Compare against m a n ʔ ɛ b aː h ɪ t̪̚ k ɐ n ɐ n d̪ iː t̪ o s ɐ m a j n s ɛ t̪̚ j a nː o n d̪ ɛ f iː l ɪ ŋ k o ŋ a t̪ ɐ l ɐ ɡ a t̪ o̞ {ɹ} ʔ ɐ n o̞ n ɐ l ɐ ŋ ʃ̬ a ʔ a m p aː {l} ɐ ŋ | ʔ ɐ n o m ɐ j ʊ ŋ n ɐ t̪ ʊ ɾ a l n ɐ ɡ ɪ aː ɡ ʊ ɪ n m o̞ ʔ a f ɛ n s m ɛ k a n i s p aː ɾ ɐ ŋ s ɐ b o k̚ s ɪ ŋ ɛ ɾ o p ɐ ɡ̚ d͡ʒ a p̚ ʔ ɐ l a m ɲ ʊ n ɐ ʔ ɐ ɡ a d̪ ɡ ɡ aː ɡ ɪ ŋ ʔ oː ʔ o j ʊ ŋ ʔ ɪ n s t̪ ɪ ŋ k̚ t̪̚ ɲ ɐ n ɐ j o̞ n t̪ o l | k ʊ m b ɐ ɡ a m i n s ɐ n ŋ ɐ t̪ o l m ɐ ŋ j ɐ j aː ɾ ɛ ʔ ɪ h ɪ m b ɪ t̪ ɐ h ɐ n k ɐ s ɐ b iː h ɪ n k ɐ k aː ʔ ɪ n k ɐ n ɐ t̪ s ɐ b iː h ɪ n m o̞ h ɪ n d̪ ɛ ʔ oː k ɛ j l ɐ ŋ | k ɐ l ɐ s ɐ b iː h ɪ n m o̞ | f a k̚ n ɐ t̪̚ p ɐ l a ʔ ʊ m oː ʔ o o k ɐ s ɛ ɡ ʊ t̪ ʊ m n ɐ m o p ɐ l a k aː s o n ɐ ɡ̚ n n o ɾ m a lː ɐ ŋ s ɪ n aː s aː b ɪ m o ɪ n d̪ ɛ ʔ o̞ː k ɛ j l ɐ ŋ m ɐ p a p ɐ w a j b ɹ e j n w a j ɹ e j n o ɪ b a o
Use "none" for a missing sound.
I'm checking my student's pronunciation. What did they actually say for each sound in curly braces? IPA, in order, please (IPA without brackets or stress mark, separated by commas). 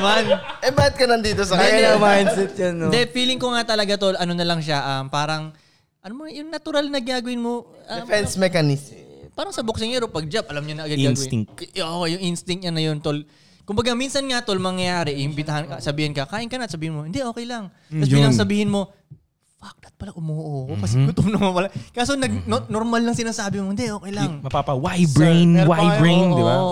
l, ɾ